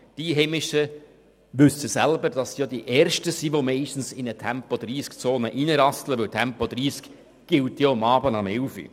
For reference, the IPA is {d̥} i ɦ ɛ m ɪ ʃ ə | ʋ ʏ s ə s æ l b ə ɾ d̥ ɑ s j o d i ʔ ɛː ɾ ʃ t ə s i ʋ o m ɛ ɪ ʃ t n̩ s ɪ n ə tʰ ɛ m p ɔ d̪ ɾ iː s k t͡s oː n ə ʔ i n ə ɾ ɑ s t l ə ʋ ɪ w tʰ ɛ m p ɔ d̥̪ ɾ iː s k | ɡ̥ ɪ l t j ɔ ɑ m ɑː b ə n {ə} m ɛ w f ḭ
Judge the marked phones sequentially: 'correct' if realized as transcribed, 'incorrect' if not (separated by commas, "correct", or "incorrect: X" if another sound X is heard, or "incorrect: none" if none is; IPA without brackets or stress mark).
correct, incorrect: ɑ